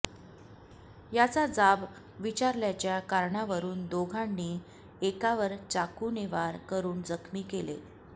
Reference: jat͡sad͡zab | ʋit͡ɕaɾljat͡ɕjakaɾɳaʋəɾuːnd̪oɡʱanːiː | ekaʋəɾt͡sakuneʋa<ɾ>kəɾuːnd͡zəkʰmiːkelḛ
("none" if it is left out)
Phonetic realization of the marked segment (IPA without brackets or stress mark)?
ɾ